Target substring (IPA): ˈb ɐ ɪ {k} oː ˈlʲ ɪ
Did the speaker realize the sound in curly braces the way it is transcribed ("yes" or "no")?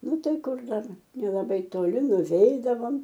no